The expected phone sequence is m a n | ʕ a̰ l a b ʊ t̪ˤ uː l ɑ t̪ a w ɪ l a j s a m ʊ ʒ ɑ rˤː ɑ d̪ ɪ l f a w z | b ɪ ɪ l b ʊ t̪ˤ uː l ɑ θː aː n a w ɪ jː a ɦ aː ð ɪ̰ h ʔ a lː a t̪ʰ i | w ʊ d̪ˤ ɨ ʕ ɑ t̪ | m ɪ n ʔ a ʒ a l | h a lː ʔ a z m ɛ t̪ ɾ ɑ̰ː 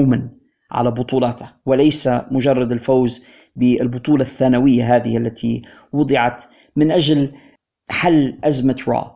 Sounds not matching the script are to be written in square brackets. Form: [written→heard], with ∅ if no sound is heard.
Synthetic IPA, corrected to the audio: m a n | ʕ a̰ l a b ʊ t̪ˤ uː l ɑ t̪ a w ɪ l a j s a m ʊ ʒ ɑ rˤː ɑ d̪ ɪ l f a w z | b ɪ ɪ l b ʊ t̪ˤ uː l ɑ θː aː n a w ɪ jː a ɦ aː ð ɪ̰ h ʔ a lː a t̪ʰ i | w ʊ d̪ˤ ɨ ʕ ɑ t̪ | m ɪ n ʔ a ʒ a l | [h→ħ] a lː ʔ a z m [ɛ→a] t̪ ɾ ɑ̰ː